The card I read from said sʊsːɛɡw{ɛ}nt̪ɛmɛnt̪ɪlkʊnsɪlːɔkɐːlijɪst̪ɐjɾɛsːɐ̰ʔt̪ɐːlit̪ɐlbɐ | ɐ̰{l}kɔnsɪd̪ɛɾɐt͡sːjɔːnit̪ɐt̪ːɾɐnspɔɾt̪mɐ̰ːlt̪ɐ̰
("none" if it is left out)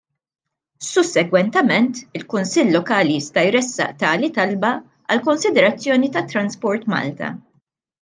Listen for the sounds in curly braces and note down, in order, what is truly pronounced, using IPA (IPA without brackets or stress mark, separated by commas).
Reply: ɛ, l